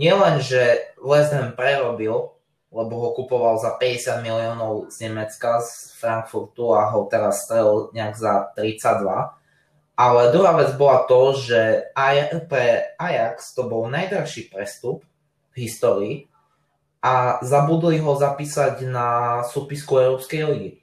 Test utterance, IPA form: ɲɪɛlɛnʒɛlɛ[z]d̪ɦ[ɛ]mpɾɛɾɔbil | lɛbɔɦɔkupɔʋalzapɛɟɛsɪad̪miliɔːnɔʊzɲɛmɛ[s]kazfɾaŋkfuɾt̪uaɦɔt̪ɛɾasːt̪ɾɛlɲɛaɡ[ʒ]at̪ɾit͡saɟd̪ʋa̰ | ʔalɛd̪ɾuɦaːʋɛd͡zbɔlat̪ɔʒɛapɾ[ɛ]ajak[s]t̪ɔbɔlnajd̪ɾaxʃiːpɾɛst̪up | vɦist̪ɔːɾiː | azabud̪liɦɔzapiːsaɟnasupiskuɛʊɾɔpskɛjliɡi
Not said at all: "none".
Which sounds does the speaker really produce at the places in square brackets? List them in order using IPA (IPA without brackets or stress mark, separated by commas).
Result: z, ɛ, t͡s, z, ɛ, s